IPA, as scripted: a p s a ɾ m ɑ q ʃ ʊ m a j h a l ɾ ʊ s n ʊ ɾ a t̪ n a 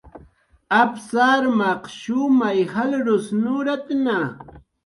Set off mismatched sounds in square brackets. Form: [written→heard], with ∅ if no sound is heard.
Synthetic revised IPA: a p s a ɾ m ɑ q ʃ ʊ m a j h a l ɾ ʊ s n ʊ ɾ a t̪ n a